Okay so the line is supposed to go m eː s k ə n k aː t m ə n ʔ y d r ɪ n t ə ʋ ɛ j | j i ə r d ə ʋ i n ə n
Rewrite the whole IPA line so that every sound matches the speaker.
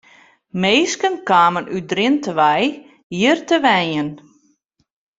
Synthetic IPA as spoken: m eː s k ə n k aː m ə n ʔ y d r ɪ n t ə ʋ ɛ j | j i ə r t ə ʋ ɛ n ə n